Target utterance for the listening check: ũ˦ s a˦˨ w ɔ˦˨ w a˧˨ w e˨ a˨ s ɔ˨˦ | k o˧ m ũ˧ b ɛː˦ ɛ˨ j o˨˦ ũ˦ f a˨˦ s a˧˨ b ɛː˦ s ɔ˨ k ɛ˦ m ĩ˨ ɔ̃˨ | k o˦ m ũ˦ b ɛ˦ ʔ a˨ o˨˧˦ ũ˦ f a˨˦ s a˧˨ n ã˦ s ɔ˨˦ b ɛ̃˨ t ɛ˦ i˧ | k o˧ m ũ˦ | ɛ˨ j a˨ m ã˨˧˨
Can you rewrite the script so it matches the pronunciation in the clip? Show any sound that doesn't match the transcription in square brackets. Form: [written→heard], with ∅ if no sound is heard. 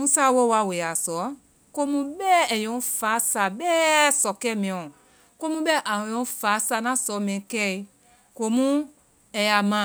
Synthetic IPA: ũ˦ s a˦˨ w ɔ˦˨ w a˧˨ w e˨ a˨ s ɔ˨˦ | k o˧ m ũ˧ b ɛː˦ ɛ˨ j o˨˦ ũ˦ f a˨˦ s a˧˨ b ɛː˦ s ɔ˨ k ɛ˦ m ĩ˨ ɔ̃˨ | k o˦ m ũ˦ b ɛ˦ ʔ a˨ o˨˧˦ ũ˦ f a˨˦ s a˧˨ n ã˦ s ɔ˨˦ [b→m] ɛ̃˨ [t→k] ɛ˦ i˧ | k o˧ m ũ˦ | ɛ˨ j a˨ m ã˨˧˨